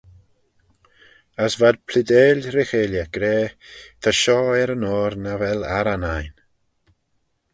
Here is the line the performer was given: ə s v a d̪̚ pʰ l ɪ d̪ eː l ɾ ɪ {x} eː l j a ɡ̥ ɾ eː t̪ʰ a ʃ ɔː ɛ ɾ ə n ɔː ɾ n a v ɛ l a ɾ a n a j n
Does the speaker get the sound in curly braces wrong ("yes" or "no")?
no